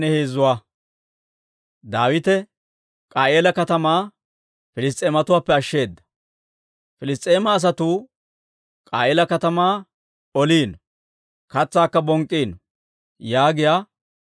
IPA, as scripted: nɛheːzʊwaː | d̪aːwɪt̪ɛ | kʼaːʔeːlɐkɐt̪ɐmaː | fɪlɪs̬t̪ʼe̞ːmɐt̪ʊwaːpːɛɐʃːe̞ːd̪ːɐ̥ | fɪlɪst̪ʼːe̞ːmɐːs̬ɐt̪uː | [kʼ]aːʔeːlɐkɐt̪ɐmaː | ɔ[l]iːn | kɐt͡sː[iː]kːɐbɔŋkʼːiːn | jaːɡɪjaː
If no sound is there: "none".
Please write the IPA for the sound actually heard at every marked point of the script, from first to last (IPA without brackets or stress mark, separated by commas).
kʼ, l, aː